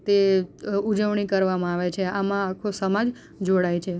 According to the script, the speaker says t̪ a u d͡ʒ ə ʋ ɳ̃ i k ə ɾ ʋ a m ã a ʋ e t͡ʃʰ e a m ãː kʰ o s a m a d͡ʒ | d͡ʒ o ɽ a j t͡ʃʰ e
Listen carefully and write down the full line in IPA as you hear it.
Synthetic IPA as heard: t̪ e u d͡ʒ ə ʋ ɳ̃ i k ə ɾ ʋ a m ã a ʋ e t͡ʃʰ e a m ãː kʰ o s ə m a d͡ʒ | d͡ʒ o ɽ a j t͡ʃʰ e